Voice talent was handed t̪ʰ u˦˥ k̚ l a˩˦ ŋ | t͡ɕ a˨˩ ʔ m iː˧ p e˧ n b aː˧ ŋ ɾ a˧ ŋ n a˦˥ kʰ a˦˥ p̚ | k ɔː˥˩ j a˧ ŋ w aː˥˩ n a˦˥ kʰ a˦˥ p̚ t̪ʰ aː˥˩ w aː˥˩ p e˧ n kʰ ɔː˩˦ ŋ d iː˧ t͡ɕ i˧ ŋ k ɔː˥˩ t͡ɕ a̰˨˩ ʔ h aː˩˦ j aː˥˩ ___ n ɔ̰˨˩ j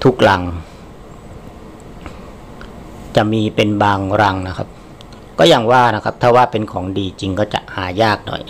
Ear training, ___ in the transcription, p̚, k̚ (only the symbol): k̚